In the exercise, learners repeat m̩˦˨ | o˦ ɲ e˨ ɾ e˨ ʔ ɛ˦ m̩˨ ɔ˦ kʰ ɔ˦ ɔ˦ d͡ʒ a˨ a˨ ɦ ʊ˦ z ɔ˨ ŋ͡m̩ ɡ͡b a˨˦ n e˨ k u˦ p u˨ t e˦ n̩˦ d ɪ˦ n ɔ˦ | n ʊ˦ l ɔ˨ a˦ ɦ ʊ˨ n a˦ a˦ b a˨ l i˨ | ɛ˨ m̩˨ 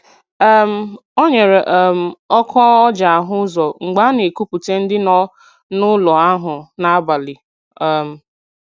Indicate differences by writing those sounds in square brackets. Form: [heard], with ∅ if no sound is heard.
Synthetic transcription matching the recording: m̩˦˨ | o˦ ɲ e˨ ɾ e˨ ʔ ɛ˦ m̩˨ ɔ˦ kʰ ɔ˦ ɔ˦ d͡ʒ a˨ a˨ ɦ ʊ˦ z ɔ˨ ŋ͡m̩ ɡ͡b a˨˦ n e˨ k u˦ p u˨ t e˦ n̩˦ d ɪ˦ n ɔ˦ | n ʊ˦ l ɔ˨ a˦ ɦ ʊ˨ n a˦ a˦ b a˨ l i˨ | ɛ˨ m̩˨